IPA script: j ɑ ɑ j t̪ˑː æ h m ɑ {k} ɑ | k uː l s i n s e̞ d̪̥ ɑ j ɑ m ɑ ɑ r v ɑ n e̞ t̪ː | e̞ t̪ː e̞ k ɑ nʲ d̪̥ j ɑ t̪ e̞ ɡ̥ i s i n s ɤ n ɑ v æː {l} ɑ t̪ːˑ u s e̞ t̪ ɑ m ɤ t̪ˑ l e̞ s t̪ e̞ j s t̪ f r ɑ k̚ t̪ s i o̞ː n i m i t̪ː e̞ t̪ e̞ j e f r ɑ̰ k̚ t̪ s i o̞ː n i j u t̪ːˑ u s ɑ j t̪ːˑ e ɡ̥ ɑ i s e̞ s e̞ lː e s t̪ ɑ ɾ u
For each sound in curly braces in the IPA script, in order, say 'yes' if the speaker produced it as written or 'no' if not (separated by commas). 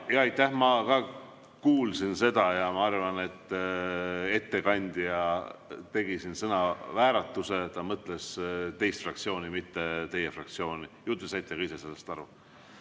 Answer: yes, no